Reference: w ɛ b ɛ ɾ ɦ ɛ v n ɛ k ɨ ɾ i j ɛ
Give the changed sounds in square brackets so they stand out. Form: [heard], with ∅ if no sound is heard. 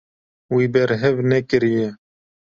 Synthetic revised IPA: w [i] b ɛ ɾ ɦ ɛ v n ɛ k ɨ ɾ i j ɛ